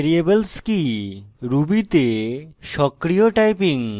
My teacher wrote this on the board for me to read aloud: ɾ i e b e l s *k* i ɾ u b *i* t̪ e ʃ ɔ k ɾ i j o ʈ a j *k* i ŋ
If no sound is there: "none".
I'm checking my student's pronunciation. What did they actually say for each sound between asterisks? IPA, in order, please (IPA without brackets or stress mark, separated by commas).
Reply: k, i, p